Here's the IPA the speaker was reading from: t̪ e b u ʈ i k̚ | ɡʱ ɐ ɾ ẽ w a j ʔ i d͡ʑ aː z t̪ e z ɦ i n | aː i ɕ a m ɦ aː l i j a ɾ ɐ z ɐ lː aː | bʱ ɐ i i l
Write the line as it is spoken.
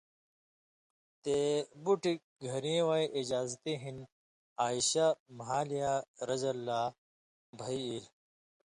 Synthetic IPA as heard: t̪ e b u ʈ i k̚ | ɡʱ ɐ ɾ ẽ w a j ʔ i d͡ʑ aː z t̪ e ɦ i n | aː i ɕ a m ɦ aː l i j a ɾ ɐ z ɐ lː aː | bʱ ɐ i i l